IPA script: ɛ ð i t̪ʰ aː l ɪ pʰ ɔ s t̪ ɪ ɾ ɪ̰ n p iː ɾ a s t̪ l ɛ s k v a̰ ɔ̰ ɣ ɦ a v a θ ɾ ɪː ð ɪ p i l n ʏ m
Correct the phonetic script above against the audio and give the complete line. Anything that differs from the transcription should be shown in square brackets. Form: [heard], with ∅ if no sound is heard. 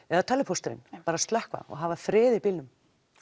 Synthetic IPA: ɛ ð [a] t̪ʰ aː l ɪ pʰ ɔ s t̪ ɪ ɾ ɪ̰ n p [aː] ɾ a s t̪ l ɛ [h] k v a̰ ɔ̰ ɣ ɦ a v a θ ɾ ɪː ð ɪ p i l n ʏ m